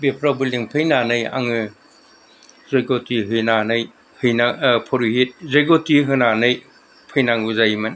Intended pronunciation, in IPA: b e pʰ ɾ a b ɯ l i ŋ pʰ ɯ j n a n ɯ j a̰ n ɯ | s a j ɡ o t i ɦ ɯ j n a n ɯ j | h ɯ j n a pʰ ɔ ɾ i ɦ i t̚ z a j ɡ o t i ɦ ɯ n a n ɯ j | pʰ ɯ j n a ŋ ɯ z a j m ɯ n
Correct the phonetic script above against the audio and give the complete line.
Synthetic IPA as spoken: b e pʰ ɾ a b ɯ l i ŋ pʰ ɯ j n a n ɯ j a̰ ŋ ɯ | z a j ɡ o t i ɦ ɯ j n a n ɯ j | h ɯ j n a pʰ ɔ ɾ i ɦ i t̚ z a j ɡ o t i ɦ ɯ n a n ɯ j | pʰ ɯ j n a ŋ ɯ z a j m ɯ n